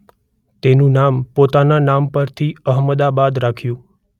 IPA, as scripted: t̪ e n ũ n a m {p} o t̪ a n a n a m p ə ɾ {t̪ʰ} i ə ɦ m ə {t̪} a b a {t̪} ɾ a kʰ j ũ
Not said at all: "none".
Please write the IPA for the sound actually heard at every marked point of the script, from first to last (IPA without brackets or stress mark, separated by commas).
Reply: p, t̪ʰ, d̪, d̪